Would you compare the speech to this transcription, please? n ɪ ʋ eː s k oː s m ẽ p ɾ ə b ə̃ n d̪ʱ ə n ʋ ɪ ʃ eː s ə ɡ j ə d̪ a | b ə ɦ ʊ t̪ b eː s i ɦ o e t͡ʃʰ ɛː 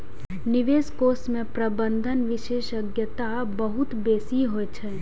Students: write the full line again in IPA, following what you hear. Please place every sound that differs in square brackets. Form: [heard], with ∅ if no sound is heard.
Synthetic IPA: n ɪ ʋ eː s k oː s m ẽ p ɾ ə b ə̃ n d̪ʱ ə n ʋ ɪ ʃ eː [ʃ] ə ɡ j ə [t̪] a | b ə ɦ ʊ t̪ b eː s i ɦ o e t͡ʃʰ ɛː

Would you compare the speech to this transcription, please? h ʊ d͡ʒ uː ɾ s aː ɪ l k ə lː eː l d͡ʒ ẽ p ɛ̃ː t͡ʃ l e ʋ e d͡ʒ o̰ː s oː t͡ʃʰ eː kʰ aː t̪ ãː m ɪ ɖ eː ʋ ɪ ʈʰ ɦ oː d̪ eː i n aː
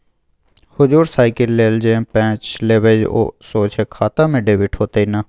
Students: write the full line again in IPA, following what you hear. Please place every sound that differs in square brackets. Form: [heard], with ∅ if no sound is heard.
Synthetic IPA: h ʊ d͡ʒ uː ɾ s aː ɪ [∅] k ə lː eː l d͡ʒ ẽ p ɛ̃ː t͡ʃ l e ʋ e d͡ʒ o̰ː s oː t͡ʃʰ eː kʰ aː t̪ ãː m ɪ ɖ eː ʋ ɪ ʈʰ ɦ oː [t̪] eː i n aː

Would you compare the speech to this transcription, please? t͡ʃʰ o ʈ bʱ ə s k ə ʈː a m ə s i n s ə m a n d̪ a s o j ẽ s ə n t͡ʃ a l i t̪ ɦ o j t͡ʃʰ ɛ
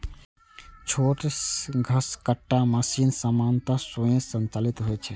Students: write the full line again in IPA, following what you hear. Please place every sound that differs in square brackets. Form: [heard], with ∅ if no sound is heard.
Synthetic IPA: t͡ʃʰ o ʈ [ɡʱ] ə s k ə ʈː a m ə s i n s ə m a n [t̪] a s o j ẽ s ə n t͡ʃ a l i t̪ ɦ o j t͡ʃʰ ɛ

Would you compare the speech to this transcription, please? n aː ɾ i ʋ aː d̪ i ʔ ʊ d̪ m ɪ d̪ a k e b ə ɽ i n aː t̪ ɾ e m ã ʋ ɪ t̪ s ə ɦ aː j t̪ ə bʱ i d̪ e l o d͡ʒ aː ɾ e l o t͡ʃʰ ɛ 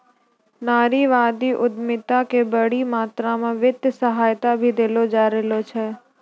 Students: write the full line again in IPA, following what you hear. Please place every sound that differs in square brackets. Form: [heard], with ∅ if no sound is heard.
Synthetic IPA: n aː ɾ i ʋ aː d̪ i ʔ ʊ d̪ m ɪ [t̪] a k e b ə ɽ i [m] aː t̪ ɾ [a] m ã ʋ ɪ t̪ s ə ɦ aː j t̪ [a] bʱ i d̪ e l o d͡ʒ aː ɾ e l o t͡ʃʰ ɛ

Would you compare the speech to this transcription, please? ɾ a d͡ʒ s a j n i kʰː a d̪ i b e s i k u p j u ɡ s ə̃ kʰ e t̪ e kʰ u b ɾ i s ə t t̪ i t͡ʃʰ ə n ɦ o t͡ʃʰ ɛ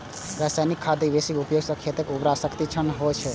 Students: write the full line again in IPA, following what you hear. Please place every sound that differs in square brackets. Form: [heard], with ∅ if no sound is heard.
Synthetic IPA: ɾ a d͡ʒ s a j n i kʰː a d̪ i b e s i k u p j [o] ɡ s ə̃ kʰ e t̪ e [k] u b ɾ [a] s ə [k] t̪ i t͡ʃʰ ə n ɦ o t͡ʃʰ ɛ

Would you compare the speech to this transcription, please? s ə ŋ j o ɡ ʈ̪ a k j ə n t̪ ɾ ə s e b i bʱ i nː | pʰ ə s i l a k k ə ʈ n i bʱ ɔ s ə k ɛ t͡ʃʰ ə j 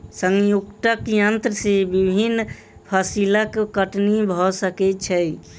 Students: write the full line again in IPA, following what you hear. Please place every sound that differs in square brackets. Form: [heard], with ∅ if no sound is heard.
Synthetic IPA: s ə ŋ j [u] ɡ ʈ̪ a k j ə n t̪ ɾ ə s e b i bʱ i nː | pʰ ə s i l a k k ə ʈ n i bʱ ɔ s ə k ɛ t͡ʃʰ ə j

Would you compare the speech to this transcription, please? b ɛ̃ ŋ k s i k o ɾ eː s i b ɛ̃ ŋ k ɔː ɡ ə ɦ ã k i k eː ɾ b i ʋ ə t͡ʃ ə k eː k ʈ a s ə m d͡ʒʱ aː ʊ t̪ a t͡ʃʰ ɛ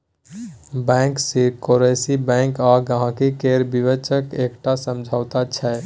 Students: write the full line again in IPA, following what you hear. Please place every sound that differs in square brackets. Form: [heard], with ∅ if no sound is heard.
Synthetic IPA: b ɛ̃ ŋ k s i k o ɾ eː s i b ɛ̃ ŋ k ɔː ɡ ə ɦ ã k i k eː ɾ b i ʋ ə t͡ʃ ə k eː k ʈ a s ə m d͡ʒʱ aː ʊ t̪ a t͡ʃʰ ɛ

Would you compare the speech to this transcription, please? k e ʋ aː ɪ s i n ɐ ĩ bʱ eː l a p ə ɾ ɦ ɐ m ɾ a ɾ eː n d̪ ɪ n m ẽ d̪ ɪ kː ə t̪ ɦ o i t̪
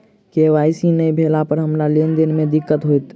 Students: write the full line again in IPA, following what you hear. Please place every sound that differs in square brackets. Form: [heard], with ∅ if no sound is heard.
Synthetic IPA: k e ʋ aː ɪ s i n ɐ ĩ bʱ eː l a p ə ɾ ɦ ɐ m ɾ a [l] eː n d̪ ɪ n m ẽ d̪ ɪ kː ə t̪ ɦ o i t̪

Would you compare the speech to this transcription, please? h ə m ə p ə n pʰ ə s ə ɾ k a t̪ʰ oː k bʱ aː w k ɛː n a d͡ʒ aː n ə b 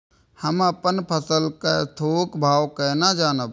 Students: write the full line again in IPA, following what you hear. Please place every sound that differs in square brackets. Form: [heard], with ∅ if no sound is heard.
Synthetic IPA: h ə m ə p ə n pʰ ə s ə [l] k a t̪ʰ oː k bʱ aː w k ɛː n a d͡ʒ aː n ə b

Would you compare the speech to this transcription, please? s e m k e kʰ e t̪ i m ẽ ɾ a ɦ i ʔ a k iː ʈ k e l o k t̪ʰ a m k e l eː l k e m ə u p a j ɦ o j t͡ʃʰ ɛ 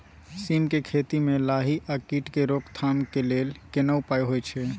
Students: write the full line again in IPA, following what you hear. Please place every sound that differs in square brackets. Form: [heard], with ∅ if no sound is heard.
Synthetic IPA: s [i] m k e kʰ e t̪ i m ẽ [l] a ɦ i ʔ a k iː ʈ k e [ɾ] o k t̪ʰ a m k e l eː l k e [n] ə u p a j ɦ o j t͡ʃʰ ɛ

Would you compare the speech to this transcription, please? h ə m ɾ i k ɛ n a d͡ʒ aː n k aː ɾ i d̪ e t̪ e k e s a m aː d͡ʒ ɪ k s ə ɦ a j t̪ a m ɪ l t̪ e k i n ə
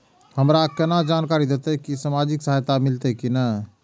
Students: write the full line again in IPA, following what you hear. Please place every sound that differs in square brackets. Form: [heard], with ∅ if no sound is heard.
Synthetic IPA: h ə m ɾ [a] k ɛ n a d͡ʒ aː n k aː ɾ i d̪ e t̪ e k [i] s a m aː d͡ʒ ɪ k s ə ɦ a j t̪ a m ɪ l t̪ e k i n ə

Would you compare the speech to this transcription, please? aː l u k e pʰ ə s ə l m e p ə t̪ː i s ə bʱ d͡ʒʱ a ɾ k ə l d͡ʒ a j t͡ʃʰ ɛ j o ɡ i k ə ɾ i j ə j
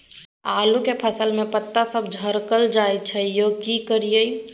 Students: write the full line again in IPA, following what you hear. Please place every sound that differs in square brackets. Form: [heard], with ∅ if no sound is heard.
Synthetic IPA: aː l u k e pʰ ə s ə l m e p ə t̪ː [a] s ə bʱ d͡ʒʱ [ə] ɾ k ə l d͡ʒ a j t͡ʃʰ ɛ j o [k] i k ə ɾ i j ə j

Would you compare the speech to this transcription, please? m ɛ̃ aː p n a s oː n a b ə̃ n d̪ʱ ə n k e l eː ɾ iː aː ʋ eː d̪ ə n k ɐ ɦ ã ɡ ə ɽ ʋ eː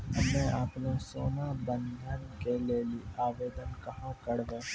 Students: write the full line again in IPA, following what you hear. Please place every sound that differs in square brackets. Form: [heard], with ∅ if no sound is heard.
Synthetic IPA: m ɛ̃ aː p n [e] s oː n a b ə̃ n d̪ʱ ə n k e l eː [l] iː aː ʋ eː d̪ ə n k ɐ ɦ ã [k] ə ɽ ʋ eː

